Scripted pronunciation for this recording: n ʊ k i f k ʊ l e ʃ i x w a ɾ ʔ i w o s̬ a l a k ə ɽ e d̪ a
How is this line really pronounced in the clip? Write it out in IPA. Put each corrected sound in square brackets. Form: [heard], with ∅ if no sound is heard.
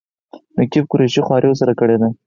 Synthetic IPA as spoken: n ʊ k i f k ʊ [ɾ] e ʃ i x w [ɑ] ɾ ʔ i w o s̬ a [ɾ] a k ə ɽ e d̪ a